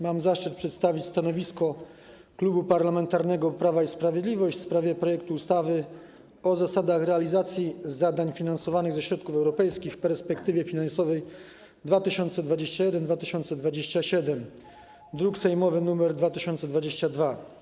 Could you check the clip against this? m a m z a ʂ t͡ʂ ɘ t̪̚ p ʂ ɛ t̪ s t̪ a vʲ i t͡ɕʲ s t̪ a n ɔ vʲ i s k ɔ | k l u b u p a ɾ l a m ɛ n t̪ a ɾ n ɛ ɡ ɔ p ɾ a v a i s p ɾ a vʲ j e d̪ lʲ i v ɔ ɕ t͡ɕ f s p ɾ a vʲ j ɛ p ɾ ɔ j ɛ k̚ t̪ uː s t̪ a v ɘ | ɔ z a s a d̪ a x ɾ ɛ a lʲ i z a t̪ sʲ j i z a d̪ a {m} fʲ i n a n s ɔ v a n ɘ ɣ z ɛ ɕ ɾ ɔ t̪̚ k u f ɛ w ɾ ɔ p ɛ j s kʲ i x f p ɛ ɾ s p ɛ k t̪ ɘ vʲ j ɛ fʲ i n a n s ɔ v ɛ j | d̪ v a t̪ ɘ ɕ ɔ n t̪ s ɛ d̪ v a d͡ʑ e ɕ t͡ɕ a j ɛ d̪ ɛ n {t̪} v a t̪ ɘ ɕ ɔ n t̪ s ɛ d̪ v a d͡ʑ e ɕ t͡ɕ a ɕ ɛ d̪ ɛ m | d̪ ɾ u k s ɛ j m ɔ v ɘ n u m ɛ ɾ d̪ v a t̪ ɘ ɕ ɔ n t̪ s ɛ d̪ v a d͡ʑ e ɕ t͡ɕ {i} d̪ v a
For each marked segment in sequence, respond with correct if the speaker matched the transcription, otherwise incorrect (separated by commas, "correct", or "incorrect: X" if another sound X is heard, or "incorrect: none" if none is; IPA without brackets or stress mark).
incorrect: ɲ, incorrect: d̪, incorrect: a